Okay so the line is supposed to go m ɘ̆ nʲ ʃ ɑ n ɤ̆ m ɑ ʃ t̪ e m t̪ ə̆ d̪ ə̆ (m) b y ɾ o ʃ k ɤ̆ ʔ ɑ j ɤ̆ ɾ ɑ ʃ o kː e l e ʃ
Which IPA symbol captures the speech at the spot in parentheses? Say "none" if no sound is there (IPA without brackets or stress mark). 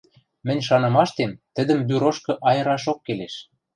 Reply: m